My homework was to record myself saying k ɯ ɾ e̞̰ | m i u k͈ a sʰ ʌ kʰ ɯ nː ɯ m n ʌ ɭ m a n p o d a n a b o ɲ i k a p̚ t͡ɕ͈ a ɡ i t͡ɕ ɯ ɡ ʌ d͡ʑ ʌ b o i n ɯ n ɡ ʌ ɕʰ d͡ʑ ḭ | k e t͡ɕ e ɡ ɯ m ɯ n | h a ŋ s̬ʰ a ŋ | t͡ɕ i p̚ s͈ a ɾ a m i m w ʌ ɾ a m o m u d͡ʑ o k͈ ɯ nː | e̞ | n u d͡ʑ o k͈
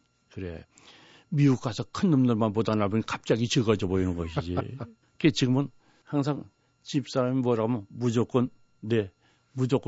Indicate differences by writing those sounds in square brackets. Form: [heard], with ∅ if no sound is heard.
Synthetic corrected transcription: k ɯ ɾ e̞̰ | m i u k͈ a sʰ ʌ kʰ ɯ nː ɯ m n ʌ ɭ m a n p o d a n a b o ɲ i k a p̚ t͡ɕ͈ a ɡ i t͡ɕ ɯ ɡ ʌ d͡ʑ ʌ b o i n ɯ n ɡ ʌ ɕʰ d͡ʑ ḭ | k e t͡ɕ [i] ɡ ɯ m ɯ n | h a ŋ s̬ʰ a ŋ | t͡ɕ i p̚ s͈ a ɾ a m i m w ʌ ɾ a m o m u d͡ʑ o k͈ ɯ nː | e̞ | [m] u d͡ʑ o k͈